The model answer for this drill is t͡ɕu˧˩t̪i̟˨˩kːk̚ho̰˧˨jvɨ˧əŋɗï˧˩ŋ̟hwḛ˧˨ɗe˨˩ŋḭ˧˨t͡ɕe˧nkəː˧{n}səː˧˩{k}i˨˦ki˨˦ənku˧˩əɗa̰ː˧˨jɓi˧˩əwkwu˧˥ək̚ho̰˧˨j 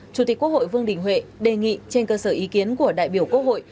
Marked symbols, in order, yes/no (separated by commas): no, no